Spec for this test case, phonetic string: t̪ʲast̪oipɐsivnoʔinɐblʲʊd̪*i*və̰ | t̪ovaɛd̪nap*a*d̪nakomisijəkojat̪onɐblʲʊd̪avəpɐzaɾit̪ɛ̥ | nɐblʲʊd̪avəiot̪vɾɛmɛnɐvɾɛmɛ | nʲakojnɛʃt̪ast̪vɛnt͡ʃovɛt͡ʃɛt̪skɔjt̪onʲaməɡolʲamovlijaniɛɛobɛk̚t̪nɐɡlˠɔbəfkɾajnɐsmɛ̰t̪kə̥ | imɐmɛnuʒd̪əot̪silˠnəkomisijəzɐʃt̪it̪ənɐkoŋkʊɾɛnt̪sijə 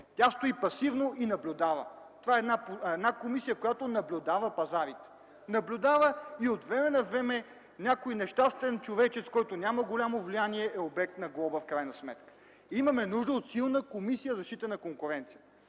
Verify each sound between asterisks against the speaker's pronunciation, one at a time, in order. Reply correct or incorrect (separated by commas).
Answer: incorrect, incorrect